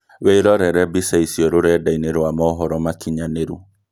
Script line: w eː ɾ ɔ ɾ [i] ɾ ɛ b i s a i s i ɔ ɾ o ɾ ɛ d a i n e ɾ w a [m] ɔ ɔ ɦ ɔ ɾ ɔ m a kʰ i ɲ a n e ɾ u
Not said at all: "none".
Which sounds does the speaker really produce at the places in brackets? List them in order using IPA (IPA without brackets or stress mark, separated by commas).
ɛ, m